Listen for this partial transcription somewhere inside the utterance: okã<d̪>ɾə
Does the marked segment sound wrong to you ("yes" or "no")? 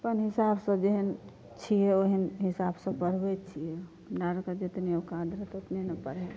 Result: no